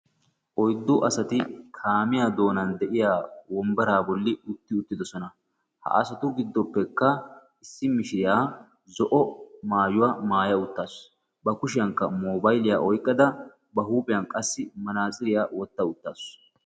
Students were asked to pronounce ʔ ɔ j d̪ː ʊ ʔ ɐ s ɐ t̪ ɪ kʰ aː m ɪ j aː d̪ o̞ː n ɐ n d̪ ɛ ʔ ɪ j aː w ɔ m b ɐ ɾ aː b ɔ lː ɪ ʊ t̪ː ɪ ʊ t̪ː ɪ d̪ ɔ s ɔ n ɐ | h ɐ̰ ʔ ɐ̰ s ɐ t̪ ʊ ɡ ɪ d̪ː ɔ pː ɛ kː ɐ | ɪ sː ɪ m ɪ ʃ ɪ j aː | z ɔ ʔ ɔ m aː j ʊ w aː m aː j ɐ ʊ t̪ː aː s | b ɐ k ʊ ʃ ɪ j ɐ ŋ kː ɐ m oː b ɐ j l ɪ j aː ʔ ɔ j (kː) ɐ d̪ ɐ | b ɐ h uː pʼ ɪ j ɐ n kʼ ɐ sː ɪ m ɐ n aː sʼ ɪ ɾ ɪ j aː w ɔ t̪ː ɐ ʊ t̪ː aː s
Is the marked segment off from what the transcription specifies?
yes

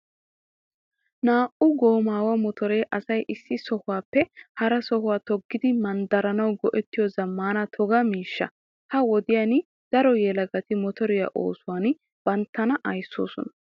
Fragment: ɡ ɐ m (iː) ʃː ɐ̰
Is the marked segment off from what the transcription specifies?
no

